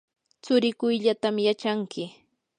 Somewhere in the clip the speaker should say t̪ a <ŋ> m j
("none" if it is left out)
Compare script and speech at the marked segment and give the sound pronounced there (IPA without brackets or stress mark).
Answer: none